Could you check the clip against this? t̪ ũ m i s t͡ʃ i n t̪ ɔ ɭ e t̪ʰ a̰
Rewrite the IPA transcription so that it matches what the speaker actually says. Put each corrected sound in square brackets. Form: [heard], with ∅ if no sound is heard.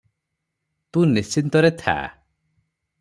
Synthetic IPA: t̪ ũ [n] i s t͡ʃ i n t̪ ɔ [ɾ] e t̪ʰ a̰